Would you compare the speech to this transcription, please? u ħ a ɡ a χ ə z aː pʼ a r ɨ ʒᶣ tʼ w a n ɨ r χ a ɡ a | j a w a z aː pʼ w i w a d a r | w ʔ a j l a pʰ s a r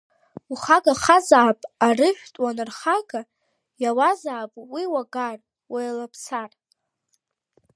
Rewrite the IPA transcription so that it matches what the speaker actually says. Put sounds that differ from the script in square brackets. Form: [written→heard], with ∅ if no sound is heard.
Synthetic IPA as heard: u [ħ→χ] a ɡ a χ [ə→a] z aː pʼ a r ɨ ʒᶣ tʼ w a n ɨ r χ a ɡ a | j a w a z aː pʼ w i w a [d→ɡ] a r | w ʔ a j l a pʰ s a r